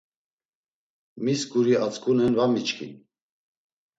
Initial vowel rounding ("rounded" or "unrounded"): unrounded